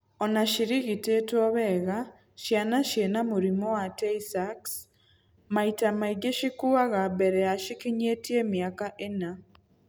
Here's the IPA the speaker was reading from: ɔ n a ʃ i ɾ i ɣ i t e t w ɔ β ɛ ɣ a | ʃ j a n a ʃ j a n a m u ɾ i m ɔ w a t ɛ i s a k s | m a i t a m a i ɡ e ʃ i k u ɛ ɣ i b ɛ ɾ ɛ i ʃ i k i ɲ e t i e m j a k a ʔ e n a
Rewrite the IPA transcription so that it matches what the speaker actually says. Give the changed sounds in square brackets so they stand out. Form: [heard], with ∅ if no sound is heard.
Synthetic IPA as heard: ɔ n a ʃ i ɾ i ɣ i t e t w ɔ β ɛ ɣ a | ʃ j a n a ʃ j [e] n a m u ɾ i m ɔ w a t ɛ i s a k s | m a i t a m a i ɡ e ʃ i k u [a] ɣ [a] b ɛ ɾ ɛ [a] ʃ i k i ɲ e t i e m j a k a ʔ e n a

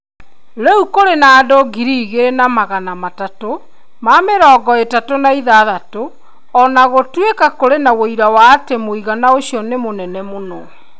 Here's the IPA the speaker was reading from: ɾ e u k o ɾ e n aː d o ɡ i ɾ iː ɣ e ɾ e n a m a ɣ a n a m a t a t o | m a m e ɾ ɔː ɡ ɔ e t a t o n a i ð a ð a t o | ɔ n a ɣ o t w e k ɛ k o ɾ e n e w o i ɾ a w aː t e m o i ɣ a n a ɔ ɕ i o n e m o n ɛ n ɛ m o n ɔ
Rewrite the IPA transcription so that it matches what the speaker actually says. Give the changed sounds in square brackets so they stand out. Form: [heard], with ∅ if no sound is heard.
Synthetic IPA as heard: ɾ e u k o ɾ e n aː d o ɡ i ɾ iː ɣ e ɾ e n a m a ɣ a n a m a t a t o | m a m e ɾ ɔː ɡ ɔ e t a t o n a i ð a ð a t o | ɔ n a ɣ o t w e k [a] k o ɾ e n [a] w o i ɾ a w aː t e m o i ɣ a n a [o] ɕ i [ɔ] n e m o n ɛ n ɛ m o n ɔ

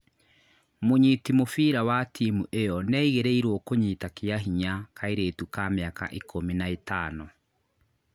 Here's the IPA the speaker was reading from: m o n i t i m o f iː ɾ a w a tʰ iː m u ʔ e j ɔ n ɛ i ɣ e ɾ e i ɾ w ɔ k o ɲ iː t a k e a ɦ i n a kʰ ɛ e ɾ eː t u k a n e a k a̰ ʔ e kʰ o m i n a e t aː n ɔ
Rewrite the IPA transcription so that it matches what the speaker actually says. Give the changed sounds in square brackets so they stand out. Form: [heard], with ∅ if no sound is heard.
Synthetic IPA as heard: m o [ɲ] i t i m o f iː ɾ a w a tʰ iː m u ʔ e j ɔ n ɛ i ɣ e ɾ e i ɾ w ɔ k o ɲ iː t a k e a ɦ i [ɲ] a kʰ [a] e ɾ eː t u k a [m] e a k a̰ ʔ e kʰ o m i n a e t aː n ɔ

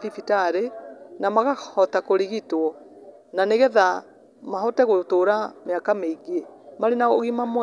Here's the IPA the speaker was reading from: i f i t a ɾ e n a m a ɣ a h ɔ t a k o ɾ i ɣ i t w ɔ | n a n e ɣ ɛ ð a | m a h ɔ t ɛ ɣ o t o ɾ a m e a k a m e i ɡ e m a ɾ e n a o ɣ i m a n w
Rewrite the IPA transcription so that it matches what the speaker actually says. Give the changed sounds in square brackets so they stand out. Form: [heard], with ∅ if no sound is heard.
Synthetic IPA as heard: i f i t a ɾ e n a m a ɣ a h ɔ t a k o ɾ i ɣ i t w ɔ | n a n e ɣ ɛ ð a | m a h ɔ t ɛ ɣ o t o ɾ a m e a k a m e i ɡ e m a ɾ e n a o ɣ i m a [m] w

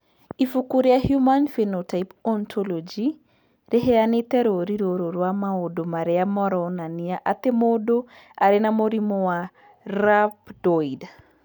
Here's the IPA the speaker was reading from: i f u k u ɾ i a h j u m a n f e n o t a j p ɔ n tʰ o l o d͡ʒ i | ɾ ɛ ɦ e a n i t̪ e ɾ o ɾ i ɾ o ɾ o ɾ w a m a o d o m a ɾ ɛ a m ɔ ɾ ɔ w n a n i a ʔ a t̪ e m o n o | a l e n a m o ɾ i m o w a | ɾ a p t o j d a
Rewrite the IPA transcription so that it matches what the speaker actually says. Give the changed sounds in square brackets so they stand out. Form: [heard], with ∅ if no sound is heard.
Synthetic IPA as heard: i f u k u ɾ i a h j u m a n f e n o t a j p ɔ n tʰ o l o d͡ʒ i | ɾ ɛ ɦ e a n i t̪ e ɾ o ɾ i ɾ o ɾ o ɾ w a m a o d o m a ɾ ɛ a m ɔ ɾ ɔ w n a n i a ʔ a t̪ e m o [d] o | a [ɾ] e n a m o ɾ i m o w a | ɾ a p [d] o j d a

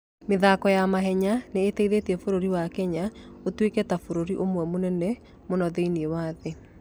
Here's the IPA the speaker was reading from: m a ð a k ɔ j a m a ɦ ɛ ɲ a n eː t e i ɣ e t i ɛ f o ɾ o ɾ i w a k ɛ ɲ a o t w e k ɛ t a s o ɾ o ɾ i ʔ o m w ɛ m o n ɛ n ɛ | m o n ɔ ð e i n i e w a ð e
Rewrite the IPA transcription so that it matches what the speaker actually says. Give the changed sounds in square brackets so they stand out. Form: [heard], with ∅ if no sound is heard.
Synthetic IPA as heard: m [e] ð a k ɔ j a m a ɦ ɛ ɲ a n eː t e i [ð] e t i ɛ f o ɾ o ɾ i w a k ɛ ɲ a o t w e k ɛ t a [f] o ɾ o ɾ i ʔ o m w ɛ m o n ɛ n ɛ | m o n ɔ ð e i n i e w a ð e

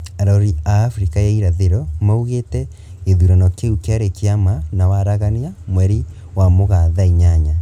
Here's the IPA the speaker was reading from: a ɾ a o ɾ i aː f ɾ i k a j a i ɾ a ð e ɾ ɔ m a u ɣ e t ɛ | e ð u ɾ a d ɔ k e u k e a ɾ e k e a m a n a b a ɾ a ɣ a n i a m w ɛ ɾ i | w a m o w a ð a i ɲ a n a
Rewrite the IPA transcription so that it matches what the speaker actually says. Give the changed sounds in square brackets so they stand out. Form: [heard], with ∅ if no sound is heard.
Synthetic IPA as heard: a ɾ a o ɾ i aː f ɾ i k a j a i ɾ a ð e ɾ ɔ m a u ɣ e t ɛ | e ð u ɾ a [n] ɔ k e u k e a ɾ e k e a m a n a [w] a ɾ a ɣ a n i a m w ɛ ɾ i | w a m o [ɣ] a ð a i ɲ a [ɲ] a

